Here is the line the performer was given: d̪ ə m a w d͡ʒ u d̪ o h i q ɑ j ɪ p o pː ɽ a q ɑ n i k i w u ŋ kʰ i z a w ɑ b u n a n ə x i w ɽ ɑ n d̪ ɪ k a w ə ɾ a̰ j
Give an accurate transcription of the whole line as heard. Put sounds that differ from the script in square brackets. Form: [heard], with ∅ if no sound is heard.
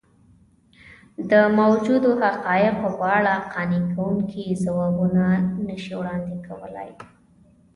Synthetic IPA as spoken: d̪ ə m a w d͡ʒ u d̪ o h [a] q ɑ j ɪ [q] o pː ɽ a q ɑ n i k [a] w u ŋ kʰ i z a w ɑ b u n a n ə [ʃ] i w ɽ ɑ n d̪ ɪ k a w ə [l] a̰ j